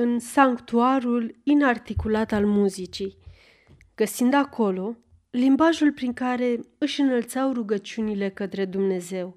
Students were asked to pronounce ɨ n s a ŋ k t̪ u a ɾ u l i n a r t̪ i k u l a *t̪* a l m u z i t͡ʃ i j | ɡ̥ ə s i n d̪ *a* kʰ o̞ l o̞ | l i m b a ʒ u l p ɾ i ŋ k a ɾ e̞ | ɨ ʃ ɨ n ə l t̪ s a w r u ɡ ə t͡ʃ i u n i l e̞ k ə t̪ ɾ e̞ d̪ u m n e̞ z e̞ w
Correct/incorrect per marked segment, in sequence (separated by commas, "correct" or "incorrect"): correct, correct